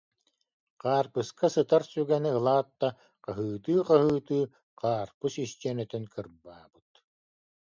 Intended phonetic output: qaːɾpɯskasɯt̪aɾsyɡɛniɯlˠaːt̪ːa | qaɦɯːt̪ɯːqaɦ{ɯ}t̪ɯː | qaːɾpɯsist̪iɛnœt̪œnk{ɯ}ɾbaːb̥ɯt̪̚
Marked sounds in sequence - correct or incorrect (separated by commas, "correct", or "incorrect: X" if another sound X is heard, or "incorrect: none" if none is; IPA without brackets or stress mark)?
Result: incorrect: ɯː, correct